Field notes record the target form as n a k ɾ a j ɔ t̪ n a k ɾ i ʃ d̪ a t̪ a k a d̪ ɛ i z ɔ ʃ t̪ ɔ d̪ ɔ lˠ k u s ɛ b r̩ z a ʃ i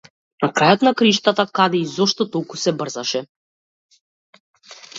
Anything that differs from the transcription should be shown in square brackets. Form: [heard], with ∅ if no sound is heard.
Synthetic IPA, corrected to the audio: n a k ɾ a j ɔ t̪ n a k ɾ i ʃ [t̪] a t̪ a k a d̪ ɛ i z ɔ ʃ t̪ ɔ [t̪] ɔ lˠ k u s ɛ b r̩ z a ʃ [ɛ]